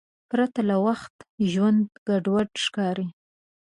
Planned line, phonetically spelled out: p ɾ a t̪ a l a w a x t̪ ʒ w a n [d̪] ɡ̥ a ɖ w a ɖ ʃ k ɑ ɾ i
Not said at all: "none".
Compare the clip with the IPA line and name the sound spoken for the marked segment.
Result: d̪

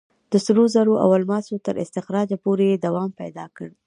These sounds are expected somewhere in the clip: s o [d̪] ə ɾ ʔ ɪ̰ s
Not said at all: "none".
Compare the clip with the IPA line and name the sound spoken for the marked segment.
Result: t̪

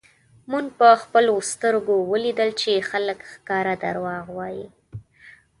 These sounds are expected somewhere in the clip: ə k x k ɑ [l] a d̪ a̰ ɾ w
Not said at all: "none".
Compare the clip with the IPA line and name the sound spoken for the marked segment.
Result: ɾ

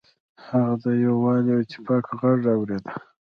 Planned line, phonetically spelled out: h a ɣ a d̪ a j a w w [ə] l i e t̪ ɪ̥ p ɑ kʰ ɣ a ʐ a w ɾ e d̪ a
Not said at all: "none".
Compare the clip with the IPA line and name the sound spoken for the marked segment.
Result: ɑ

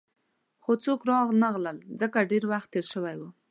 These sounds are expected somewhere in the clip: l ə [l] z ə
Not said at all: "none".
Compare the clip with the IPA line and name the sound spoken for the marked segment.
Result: l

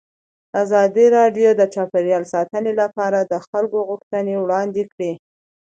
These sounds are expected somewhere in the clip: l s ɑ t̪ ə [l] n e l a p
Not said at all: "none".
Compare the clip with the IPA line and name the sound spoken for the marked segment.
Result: none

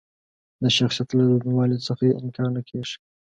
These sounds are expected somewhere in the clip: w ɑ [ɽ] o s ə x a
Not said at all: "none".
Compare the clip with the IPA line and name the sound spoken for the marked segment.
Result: l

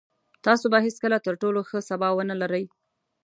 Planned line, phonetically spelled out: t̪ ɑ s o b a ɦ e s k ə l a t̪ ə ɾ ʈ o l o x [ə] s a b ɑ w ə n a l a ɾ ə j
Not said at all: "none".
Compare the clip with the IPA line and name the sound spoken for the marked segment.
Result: ə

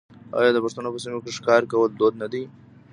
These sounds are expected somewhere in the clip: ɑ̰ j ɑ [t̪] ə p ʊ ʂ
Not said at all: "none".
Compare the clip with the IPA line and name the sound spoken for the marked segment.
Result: d̪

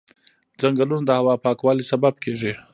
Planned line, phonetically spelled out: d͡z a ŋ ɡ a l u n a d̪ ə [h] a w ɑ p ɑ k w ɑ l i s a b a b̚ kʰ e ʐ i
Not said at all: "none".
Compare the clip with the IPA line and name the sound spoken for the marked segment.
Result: h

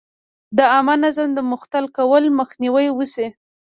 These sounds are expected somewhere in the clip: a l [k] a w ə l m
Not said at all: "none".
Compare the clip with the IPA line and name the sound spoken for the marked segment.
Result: k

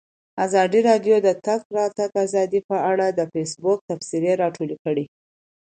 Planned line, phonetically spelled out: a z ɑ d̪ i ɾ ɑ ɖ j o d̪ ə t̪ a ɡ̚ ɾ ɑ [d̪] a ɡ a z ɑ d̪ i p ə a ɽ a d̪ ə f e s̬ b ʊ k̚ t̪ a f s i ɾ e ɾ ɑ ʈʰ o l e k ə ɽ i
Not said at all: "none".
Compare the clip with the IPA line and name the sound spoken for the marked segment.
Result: t̪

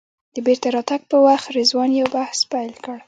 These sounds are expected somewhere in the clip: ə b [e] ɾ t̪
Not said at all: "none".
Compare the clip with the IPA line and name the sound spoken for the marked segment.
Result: e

